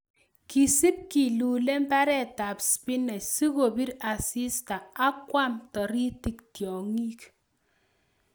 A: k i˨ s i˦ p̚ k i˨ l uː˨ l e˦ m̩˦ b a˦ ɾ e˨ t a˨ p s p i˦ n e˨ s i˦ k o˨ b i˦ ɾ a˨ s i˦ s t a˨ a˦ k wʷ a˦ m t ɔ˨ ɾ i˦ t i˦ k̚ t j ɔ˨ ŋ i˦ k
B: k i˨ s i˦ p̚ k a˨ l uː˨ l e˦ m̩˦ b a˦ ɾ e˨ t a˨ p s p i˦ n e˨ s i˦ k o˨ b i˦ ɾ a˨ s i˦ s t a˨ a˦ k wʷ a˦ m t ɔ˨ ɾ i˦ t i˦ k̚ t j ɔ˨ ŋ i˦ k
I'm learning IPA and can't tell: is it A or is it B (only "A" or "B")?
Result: A